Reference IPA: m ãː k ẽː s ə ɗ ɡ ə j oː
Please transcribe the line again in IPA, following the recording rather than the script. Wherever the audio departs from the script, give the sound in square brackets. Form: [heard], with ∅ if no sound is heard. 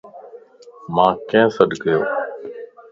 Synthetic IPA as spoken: m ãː k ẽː s ə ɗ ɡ ə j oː